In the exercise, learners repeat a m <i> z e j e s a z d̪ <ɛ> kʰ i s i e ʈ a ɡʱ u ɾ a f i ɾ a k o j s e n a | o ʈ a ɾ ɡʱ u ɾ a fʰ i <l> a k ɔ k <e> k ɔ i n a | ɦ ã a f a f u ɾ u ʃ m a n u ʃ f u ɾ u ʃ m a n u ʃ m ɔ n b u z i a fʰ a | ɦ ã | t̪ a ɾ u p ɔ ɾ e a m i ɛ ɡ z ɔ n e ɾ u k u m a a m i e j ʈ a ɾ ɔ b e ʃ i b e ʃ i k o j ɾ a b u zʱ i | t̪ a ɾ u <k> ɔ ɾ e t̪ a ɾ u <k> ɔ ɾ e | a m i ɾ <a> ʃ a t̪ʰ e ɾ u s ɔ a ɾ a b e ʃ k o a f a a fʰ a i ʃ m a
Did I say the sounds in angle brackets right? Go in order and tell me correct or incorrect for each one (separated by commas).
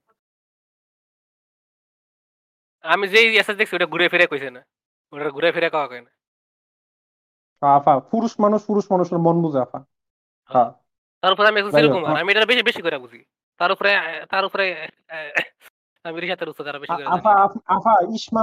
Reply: correct, incorrect, incorrect, incorrect, incorrect, incorrect, incorrect